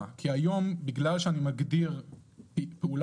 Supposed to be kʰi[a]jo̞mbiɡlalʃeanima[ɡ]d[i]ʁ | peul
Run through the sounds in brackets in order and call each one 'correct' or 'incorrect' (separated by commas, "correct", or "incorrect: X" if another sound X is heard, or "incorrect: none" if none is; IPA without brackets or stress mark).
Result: correct, correct, correct